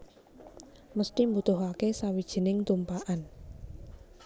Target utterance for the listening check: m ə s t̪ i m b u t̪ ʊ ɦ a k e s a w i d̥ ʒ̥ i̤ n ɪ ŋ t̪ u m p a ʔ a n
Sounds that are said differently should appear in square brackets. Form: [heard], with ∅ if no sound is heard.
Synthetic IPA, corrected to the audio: m ə s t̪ i m b u t̪ ʊ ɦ a k e s a w i d̥ ʒ̥ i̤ n ɪ ŋ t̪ u m p a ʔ a n